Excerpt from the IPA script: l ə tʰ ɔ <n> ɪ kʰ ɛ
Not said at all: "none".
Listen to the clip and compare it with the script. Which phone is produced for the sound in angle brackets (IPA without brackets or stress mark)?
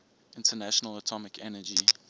m